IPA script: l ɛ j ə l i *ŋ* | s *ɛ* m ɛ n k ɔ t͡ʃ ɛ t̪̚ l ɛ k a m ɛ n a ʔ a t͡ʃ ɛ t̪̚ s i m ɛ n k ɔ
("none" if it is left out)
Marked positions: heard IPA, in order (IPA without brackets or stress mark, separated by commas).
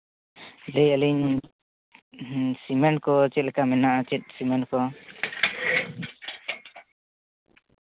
ɲ, i